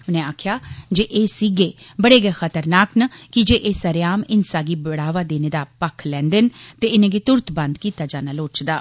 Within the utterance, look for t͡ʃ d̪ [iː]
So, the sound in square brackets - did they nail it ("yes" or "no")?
no